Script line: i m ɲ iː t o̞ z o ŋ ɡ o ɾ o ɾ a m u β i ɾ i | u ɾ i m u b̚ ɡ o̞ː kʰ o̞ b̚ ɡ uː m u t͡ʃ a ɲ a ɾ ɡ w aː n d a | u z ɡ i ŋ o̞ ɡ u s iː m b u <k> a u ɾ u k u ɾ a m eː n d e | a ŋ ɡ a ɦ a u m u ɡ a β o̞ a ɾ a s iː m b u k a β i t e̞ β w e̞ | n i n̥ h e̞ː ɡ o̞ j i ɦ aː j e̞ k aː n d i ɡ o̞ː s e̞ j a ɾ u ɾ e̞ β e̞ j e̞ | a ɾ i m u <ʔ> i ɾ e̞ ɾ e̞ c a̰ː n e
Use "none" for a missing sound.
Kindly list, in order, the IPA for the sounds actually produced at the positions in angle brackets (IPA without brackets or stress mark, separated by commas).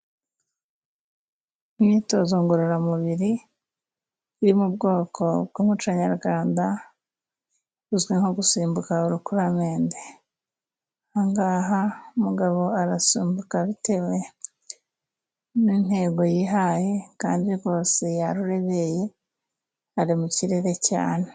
k, c